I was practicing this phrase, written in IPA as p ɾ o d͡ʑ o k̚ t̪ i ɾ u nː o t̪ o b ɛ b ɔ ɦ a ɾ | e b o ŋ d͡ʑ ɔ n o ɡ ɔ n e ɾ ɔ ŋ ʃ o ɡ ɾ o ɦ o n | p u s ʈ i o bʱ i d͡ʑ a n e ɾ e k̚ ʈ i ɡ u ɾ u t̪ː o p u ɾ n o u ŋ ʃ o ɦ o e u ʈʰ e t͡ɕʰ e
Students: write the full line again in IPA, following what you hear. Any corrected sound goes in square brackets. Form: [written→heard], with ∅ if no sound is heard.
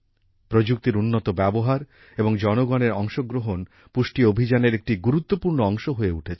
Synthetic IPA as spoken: p ɾ o d͡ʑ [o→u] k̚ t̪ i ɾ u nː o t̪ o b ɛ b [ɔ→o] ɦ a ɾ | e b o ŋ d͡ʑ ɔ n o ɡ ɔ n e ɾ ɔ ŋ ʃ o ɡ ɾ o ɦ o n | p u [s→ʃ] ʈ i o bʱ i d͡ʑ a n e ɾ e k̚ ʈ i ɡ u ɾ u t̪ː o p u ɾ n o [u→ɔ] ŋ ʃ o ɦ o e u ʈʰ e t͡ɕʰ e